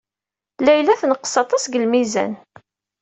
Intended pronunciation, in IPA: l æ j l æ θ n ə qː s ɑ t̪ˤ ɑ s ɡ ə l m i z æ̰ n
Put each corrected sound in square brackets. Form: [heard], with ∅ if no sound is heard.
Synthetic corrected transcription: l æ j l æ θ n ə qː s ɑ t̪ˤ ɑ s ɡ ə l m i z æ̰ n